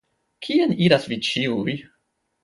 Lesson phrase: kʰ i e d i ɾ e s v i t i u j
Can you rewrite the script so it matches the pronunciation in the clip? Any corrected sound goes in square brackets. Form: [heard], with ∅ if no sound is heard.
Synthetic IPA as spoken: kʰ i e [n] i ɾ [a] s v i [t͡ʃ] i u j